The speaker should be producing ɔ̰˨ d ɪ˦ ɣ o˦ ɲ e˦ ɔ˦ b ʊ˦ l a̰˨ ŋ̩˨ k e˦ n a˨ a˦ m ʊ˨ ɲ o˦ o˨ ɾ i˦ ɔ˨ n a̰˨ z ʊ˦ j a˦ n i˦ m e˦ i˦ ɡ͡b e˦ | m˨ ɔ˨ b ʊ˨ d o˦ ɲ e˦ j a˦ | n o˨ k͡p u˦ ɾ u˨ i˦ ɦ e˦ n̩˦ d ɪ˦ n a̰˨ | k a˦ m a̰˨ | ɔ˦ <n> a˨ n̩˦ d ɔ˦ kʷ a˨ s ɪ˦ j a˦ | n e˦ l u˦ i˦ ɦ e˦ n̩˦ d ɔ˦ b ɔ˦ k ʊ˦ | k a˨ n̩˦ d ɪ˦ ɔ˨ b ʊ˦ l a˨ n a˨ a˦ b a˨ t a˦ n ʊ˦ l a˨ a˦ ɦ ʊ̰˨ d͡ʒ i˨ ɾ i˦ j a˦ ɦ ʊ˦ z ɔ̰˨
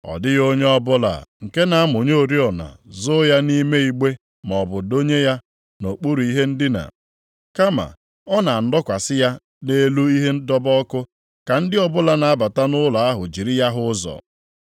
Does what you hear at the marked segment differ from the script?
no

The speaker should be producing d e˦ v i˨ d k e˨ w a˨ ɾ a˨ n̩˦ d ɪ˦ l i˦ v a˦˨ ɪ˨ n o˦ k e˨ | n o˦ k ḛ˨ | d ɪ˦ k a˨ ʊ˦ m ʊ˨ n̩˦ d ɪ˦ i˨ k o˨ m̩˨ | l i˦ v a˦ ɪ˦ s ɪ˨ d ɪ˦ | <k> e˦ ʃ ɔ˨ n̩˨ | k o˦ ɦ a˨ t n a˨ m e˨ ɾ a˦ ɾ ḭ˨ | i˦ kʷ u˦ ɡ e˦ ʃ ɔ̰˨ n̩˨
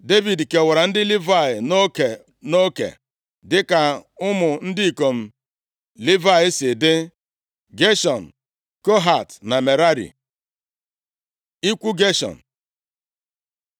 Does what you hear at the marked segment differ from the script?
yes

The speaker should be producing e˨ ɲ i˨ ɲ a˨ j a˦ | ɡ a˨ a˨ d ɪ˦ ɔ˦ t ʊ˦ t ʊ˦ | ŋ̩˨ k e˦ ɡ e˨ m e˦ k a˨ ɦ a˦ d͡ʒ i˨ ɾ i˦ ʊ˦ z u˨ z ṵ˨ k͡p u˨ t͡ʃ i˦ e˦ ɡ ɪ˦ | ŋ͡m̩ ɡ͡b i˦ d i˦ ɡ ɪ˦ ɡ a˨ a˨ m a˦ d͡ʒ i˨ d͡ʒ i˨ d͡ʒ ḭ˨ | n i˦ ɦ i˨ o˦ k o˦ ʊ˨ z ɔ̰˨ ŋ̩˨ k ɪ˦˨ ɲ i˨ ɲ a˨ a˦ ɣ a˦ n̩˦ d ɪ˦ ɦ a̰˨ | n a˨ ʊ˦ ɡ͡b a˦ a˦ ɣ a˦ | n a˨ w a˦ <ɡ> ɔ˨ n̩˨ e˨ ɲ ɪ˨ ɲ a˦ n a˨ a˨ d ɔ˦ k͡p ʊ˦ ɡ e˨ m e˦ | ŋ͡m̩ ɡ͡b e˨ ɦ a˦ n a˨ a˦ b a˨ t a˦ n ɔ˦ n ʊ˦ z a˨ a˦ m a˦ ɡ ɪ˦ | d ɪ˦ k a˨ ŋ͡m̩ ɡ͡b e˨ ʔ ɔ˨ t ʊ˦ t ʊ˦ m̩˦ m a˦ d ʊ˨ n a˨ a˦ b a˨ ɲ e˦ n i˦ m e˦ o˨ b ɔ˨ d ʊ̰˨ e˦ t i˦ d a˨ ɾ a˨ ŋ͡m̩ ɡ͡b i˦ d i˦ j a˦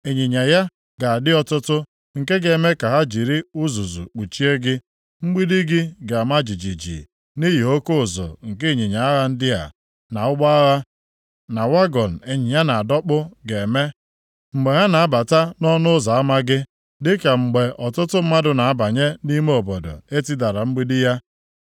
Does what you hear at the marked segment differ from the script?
no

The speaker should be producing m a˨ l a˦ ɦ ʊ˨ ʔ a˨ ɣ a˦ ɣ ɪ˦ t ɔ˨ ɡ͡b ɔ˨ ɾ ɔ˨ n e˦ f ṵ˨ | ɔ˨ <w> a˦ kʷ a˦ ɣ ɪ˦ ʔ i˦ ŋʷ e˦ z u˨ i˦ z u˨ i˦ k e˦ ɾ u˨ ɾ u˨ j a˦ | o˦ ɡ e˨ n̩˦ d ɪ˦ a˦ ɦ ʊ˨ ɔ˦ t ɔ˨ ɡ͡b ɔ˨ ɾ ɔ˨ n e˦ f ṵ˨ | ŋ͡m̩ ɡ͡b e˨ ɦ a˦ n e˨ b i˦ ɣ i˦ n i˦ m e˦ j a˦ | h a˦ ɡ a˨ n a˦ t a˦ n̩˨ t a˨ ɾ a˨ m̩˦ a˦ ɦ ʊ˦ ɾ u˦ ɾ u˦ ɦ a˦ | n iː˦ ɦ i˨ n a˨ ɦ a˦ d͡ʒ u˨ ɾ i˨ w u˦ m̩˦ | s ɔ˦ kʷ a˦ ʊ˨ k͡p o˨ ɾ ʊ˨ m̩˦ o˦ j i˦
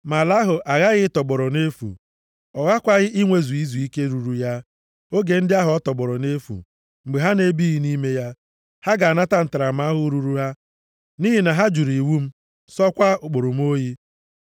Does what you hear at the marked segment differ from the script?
yes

